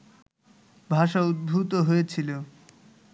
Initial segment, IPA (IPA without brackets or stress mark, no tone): bʱ